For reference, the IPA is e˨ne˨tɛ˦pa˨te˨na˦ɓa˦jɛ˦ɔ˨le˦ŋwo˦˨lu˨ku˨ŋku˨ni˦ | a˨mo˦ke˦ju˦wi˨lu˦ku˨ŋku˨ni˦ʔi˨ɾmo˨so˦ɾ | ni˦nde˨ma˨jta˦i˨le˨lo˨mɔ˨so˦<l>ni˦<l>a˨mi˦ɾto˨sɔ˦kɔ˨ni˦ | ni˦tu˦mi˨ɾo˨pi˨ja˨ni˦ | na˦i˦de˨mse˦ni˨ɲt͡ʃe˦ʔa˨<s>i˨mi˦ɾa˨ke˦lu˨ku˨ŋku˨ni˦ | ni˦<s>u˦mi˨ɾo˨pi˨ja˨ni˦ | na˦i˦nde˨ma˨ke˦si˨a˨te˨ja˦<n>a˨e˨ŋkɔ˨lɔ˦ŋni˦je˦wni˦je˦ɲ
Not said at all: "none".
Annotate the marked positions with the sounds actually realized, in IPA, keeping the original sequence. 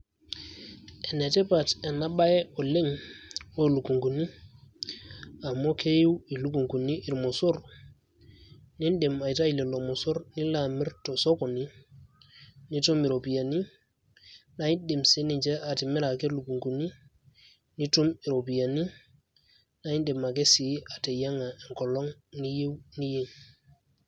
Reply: ɾ, l, t, t, ŋ

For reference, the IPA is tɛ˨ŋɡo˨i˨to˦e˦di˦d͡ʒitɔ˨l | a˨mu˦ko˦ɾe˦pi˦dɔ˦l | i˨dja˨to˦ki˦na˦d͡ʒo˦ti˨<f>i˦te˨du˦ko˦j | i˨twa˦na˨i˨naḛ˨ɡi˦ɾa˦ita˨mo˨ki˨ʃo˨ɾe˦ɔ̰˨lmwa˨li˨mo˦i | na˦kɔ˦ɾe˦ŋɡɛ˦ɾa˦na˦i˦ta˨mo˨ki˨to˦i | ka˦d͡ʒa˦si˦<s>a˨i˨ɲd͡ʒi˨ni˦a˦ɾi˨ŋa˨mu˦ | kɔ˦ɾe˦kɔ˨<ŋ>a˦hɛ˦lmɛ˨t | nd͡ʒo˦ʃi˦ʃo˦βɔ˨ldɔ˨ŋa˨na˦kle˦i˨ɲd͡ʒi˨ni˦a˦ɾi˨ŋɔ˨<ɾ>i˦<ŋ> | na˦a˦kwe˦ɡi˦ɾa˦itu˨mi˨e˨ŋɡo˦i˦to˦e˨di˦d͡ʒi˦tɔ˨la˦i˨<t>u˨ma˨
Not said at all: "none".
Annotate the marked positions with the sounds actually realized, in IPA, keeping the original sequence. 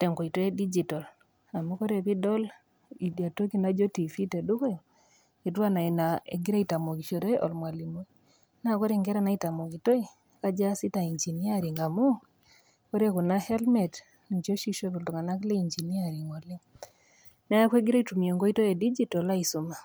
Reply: f, t, n, l, ŋ, s

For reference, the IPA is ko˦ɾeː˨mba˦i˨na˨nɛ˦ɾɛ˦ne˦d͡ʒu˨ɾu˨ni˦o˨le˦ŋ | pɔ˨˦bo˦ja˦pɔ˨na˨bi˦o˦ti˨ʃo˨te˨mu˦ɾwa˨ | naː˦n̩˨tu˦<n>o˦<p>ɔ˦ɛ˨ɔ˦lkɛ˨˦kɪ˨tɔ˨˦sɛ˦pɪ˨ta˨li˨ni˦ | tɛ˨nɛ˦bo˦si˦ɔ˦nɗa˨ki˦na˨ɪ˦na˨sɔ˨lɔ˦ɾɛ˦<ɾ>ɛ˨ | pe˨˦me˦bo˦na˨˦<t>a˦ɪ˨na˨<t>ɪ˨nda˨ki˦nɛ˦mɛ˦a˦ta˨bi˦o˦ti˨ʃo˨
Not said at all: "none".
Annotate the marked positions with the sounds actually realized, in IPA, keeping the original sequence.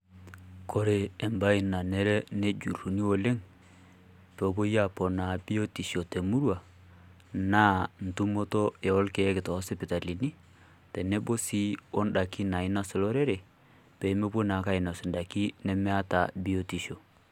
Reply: m, t, ɾ, k, s

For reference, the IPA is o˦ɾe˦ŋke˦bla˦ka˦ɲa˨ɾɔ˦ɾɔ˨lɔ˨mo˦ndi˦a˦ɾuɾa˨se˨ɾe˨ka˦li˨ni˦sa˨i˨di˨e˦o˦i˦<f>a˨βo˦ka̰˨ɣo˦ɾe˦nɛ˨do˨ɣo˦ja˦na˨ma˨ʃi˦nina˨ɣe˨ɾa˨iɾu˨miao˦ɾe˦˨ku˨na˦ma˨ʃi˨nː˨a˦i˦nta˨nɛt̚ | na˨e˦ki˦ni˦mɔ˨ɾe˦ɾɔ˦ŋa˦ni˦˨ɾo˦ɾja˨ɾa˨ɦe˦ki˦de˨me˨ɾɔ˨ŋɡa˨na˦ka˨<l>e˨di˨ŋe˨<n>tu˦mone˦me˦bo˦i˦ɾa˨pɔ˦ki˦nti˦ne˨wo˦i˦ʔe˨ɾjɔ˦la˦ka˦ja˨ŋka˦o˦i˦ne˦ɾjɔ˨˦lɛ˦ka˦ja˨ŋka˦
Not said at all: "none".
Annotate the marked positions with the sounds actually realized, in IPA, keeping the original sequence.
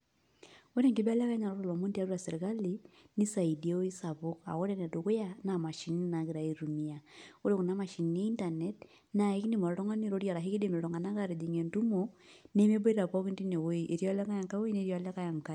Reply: s, ɾ, n

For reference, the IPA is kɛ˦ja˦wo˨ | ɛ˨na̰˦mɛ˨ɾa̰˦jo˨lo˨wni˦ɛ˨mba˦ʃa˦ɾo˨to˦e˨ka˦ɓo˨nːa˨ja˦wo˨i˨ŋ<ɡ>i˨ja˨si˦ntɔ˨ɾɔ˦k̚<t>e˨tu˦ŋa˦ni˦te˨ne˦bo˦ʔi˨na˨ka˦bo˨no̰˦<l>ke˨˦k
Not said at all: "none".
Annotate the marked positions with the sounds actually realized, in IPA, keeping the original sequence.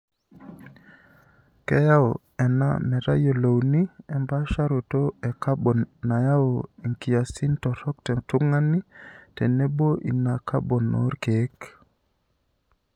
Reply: k, t, ɾ

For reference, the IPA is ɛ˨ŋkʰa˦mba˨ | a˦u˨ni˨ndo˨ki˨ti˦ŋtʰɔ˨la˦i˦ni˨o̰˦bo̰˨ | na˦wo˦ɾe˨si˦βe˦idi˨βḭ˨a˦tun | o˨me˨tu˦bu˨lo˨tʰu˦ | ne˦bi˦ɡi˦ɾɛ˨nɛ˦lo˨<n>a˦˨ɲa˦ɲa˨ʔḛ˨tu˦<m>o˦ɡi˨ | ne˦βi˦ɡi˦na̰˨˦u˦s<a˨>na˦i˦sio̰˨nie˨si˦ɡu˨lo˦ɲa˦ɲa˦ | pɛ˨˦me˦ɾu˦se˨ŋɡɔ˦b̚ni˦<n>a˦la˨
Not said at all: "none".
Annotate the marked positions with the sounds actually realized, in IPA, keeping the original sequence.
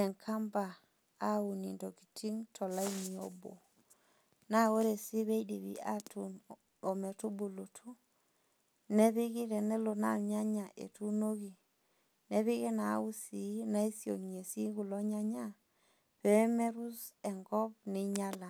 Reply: n, n, i˨, ɲ

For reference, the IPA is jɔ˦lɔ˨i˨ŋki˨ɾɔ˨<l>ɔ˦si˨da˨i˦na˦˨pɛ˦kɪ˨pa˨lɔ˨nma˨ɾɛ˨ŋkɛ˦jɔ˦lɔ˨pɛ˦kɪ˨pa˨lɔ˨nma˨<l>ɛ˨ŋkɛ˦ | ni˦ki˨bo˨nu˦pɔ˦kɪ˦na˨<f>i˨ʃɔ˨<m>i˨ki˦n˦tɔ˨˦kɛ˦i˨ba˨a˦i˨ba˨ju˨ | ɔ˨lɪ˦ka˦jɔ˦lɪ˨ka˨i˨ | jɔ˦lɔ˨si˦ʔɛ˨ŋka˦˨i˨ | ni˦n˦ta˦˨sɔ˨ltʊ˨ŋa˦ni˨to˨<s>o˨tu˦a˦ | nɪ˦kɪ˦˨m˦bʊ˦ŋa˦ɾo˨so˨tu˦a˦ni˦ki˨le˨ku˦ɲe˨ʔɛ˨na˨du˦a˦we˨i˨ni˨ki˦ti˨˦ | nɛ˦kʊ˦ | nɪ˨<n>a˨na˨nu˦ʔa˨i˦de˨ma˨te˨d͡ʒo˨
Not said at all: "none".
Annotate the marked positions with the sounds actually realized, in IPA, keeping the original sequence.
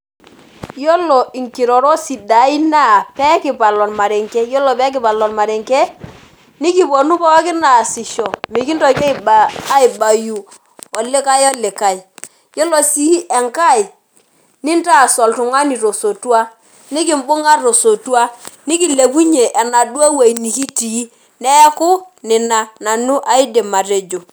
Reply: ɾ, ɾ, s, m, s, n

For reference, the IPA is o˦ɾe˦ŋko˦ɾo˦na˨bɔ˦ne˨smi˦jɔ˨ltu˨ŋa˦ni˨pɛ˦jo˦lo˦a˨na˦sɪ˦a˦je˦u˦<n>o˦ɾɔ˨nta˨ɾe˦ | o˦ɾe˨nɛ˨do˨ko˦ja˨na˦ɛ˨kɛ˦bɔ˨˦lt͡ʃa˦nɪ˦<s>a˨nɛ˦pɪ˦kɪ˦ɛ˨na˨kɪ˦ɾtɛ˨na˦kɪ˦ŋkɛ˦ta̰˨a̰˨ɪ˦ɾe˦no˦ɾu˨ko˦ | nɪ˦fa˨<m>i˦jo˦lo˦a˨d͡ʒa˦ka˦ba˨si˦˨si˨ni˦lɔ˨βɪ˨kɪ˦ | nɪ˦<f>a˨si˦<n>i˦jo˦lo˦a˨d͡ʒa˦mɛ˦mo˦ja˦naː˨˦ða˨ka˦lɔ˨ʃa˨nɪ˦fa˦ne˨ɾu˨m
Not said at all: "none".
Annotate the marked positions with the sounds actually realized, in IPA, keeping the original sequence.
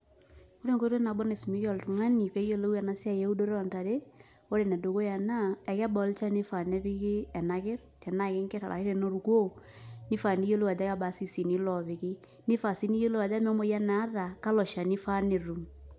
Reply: d, f, n, f, n

